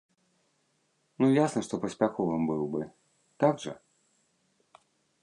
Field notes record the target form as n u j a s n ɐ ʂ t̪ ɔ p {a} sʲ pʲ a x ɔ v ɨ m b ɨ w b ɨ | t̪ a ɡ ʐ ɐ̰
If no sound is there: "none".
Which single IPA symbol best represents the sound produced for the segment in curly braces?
ɐ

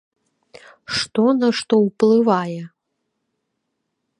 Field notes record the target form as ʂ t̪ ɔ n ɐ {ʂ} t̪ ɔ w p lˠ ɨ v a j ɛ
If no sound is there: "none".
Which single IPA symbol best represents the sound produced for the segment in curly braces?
ʂ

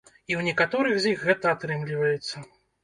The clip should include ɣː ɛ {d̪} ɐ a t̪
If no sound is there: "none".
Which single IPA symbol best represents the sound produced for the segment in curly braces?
t̪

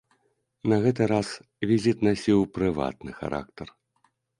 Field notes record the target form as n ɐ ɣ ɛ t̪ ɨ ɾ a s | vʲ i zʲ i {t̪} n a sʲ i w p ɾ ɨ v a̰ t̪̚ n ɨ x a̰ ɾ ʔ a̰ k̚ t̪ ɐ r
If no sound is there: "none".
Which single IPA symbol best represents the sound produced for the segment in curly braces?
t̪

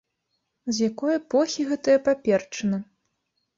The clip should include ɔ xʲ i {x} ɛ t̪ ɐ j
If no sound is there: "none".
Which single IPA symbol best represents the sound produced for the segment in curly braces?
ɣ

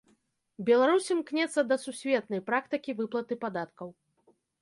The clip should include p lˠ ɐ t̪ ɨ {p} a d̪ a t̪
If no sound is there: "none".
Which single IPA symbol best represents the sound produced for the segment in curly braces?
p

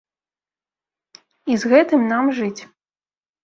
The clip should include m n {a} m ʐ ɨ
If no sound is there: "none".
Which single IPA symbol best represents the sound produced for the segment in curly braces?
a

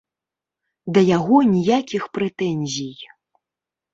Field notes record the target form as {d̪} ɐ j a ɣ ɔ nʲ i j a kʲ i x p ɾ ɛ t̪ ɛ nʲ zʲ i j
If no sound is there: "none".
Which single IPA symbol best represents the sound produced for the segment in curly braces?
d̪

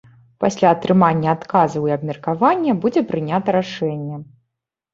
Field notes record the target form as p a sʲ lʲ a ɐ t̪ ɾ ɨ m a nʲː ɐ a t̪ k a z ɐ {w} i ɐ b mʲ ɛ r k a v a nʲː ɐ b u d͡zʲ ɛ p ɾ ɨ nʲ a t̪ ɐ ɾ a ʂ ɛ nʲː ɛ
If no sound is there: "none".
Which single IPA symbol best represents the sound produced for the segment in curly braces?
w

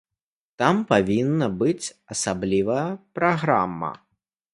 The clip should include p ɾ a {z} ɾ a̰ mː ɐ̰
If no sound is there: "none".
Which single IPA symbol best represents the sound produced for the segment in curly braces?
ɣ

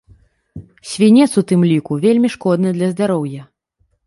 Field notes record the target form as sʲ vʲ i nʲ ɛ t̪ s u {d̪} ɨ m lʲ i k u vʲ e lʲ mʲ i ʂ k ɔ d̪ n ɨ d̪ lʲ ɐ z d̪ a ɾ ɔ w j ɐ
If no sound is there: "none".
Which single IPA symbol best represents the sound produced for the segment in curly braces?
t̪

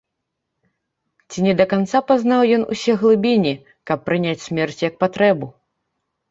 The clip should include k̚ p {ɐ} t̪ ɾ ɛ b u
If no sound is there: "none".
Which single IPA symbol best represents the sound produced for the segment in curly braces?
a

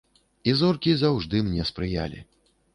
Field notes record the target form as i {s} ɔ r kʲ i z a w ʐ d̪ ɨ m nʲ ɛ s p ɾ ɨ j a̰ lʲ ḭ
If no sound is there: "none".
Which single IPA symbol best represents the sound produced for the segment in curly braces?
z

